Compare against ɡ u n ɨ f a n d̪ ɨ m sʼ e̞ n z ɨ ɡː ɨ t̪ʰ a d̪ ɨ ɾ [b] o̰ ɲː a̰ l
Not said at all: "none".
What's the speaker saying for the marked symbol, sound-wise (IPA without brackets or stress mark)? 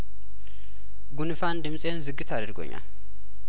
ɡ